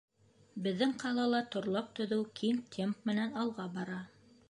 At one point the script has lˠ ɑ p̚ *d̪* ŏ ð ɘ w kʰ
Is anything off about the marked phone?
yes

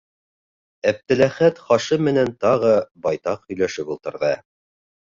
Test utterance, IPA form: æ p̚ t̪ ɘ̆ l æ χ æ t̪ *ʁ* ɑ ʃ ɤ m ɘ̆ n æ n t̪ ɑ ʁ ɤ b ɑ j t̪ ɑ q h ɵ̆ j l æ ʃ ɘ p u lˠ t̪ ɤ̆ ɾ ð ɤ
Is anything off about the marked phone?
yes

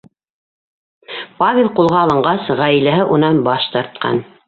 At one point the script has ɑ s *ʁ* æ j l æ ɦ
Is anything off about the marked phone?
no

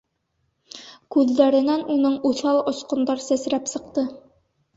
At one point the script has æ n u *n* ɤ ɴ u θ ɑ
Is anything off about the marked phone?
no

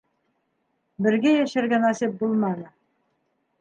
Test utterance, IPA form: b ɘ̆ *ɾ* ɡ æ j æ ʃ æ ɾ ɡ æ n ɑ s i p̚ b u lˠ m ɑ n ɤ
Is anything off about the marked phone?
no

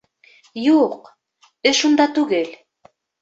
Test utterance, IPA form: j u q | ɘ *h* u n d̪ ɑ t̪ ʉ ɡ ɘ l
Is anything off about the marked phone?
yes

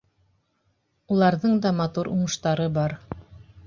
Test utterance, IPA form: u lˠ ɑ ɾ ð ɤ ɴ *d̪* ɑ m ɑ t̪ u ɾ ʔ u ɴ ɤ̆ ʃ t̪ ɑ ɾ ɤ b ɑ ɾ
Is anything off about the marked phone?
no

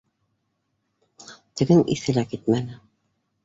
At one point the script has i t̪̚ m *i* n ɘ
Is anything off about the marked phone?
yes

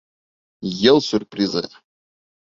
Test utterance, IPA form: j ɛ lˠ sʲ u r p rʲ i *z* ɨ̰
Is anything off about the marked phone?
no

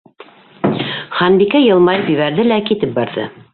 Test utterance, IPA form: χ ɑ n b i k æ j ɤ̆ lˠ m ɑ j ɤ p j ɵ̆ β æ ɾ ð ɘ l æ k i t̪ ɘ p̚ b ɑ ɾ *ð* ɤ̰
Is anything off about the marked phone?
no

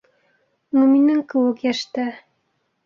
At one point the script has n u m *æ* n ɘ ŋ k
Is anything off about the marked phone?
yes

